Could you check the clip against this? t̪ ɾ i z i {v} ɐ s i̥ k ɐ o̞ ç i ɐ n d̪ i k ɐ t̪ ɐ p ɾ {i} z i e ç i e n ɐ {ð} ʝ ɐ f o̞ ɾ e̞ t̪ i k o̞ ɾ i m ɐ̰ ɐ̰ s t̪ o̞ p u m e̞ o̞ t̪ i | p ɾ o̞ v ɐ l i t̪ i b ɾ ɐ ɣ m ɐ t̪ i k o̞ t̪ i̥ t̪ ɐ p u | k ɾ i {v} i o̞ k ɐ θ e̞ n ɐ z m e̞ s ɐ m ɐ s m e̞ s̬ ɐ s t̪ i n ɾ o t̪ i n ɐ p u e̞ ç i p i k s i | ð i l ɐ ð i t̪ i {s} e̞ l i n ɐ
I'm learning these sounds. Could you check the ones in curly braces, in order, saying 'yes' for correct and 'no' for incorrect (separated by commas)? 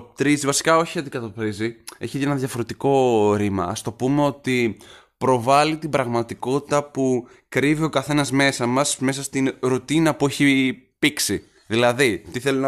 yes, yes, yes, yes, no